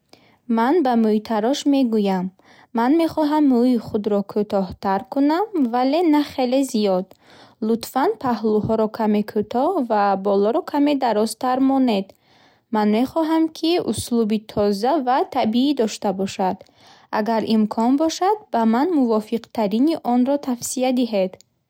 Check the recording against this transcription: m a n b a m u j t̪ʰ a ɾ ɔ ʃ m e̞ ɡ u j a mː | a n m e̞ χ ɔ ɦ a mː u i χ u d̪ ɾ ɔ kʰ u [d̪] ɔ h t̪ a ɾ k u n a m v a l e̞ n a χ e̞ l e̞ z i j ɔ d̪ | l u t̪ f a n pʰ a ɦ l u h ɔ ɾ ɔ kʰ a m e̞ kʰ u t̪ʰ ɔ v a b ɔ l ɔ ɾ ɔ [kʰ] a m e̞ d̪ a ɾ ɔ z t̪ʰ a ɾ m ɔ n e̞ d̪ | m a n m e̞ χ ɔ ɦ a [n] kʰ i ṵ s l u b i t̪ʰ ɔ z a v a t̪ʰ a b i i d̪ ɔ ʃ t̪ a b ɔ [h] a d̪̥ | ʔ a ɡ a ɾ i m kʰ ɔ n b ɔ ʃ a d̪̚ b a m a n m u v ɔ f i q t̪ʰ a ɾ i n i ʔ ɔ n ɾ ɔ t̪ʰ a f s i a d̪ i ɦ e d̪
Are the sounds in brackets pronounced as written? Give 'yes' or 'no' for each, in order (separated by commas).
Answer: no, yes, no, no